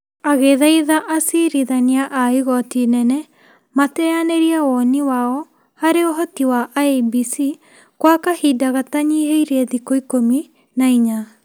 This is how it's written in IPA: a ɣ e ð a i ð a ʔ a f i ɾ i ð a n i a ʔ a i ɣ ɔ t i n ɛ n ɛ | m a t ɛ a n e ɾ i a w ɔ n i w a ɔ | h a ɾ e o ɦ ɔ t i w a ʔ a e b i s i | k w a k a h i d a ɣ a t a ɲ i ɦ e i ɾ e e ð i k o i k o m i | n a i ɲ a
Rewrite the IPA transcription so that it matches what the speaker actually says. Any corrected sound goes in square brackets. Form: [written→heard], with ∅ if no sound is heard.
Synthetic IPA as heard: a ɣ e ð a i ð a ʔ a [f→s] i ɾ i ð a n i a ʔ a i ɣ ɔ t i n ɛ n ɛ | m a t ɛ a n e ɾ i a w ɔ n i w a ɔ | h a ɾ e o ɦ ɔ t i w a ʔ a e b i s i | k w a k a h i d a ɣ a t a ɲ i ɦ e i ɾ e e ð i k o i k o m i | n a i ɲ a